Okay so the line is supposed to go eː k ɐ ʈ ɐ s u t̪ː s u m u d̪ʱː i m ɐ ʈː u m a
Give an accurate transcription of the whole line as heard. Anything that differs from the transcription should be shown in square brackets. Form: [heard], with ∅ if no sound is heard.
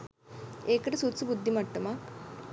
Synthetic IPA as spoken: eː k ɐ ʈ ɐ s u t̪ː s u [b] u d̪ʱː i m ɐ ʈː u m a